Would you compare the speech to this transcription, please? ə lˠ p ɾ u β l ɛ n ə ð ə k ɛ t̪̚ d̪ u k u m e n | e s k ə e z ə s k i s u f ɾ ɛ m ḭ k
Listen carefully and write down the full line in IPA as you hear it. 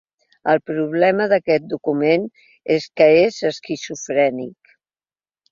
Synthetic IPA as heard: ə lˠ p ɾ u β l ɛ m ə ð ə k ɛ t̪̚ d̪ u k u m e n | e s k ə e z ə s k i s u f ɾ ɛ n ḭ k